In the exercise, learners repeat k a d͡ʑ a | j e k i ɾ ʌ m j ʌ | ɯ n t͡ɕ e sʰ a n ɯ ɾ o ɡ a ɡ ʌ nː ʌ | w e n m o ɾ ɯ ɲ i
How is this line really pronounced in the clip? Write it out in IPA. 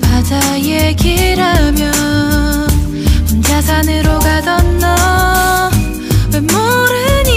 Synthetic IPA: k a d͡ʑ a | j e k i ɾ a m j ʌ | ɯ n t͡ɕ a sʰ a n ɯ ɾ o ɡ a d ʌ nː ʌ | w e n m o ɾ ɯ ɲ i